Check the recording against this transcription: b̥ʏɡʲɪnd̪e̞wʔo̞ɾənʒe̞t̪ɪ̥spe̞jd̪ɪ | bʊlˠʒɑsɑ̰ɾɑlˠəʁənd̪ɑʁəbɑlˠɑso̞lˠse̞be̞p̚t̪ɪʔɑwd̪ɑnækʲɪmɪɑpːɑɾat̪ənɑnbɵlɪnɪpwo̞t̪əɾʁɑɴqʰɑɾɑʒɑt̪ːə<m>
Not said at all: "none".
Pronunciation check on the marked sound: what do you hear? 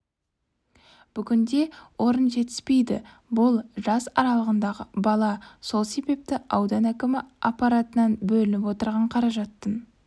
n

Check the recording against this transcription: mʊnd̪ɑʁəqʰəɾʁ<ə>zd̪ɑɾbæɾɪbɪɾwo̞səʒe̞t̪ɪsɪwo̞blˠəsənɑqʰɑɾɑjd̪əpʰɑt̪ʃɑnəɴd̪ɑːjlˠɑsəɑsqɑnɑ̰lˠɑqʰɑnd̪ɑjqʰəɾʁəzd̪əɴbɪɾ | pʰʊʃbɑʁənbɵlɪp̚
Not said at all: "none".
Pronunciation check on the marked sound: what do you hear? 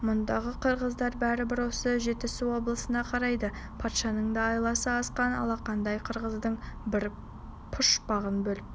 ə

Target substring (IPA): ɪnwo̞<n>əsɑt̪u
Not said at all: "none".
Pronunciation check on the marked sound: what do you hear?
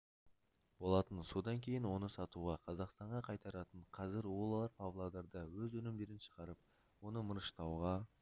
n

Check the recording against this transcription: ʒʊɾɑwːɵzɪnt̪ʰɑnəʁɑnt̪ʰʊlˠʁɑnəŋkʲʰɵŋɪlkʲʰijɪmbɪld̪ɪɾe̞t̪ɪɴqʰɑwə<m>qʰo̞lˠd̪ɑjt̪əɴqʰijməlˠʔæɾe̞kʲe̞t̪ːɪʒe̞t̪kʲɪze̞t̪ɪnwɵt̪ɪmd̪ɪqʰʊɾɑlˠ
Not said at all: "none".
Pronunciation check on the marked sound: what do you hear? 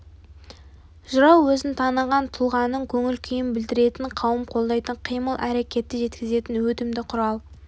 m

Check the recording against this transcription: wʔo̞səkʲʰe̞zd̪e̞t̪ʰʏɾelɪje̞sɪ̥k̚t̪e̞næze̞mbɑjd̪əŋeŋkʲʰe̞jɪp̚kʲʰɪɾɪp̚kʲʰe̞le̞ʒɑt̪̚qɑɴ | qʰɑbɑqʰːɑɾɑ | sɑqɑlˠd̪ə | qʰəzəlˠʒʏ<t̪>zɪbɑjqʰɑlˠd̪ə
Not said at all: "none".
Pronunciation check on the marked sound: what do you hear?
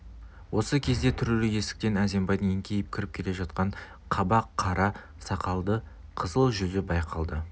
none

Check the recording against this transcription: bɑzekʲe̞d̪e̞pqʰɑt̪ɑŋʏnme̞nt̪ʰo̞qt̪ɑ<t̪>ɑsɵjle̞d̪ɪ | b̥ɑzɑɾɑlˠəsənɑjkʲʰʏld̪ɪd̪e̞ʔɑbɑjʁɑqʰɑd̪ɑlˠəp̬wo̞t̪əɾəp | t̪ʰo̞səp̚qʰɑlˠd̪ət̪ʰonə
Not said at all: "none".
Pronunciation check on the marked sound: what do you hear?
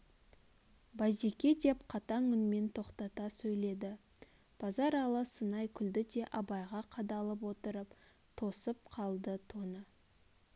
t̪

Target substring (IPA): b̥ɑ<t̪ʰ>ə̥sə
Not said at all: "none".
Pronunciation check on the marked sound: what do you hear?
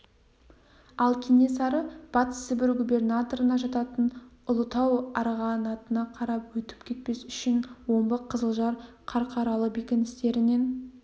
t̪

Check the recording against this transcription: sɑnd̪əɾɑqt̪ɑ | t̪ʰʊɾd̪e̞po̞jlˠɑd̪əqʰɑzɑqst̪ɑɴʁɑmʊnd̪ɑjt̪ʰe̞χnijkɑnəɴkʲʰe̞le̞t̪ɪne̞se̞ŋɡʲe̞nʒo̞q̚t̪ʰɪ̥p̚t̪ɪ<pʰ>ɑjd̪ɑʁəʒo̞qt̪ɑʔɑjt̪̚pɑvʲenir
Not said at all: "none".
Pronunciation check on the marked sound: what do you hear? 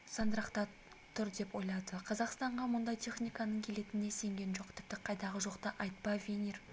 qʰ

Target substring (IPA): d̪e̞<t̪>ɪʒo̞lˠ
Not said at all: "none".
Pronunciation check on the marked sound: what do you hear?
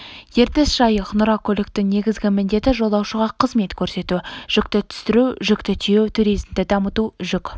t̪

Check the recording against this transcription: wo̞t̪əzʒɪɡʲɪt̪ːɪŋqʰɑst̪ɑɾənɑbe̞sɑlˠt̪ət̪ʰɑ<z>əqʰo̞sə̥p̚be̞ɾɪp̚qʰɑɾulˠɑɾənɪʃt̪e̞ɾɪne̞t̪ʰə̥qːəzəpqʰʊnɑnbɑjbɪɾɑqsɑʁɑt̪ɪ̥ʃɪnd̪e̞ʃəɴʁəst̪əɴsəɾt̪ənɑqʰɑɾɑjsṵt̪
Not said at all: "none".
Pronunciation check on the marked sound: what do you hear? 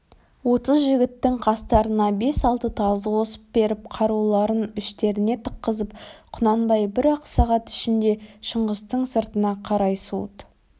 z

